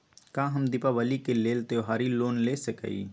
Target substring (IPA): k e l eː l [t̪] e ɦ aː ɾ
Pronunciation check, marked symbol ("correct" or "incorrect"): correct